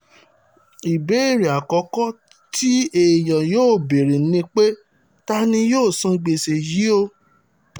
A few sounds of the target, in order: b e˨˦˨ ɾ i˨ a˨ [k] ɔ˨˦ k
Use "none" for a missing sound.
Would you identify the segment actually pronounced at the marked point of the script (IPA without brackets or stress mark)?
k